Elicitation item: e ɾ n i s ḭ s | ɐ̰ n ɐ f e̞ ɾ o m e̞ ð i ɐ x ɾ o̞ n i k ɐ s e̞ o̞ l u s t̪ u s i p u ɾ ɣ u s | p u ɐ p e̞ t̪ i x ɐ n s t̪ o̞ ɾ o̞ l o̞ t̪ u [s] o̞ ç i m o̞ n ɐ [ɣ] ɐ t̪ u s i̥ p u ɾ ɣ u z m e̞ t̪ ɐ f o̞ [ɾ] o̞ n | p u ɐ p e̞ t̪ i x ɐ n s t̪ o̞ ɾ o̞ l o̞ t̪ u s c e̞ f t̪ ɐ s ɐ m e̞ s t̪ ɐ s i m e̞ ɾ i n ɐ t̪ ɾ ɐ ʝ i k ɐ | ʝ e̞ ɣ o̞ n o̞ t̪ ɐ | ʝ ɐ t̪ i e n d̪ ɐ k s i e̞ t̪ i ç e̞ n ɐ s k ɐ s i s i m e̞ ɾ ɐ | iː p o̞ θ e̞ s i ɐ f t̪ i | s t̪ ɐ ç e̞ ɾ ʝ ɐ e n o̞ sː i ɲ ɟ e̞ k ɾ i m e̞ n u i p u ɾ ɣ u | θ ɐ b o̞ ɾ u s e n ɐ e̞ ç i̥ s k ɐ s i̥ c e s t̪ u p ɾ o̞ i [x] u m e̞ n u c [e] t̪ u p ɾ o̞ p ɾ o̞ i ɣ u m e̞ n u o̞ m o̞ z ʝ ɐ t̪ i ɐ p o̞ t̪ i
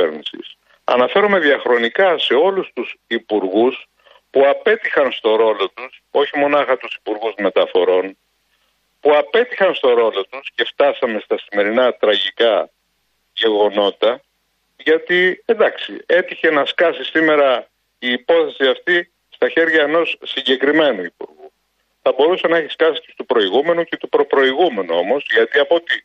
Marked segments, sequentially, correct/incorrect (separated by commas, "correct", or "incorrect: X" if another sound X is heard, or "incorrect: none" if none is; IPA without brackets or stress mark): correct, incorrect: x, correct, incorrect: ɣ, correct